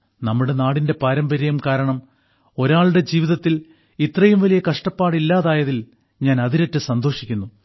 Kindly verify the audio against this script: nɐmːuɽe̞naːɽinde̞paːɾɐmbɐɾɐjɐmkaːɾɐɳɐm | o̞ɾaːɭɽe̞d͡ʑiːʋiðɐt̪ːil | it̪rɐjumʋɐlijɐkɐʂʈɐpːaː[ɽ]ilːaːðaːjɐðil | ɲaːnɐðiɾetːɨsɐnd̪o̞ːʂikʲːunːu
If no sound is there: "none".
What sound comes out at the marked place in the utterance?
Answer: ɽ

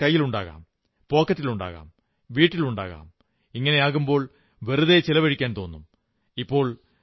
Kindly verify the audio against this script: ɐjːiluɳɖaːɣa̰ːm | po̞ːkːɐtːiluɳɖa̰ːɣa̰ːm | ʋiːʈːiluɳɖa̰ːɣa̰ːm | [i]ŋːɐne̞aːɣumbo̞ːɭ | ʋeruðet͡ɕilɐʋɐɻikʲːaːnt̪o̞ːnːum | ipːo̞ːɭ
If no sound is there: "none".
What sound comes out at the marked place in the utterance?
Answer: i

